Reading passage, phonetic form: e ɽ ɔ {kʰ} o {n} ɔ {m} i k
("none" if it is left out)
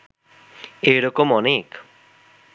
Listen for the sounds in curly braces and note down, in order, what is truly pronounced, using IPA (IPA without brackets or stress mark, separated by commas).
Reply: k, m, n